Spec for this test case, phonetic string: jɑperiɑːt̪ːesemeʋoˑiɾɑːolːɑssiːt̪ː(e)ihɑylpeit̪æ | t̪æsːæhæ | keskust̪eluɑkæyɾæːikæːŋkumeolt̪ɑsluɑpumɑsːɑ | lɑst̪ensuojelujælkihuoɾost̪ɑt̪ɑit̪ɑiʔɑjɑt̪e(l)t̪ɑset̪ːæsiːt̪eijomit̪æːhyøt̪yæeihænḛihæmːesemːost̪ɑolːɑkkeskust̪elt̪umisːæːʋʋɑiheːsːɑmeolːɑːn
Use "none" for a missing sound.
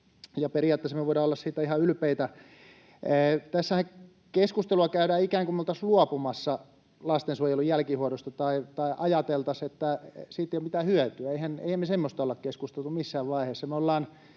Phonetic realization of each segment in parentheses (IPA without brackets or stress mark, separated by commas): æ, l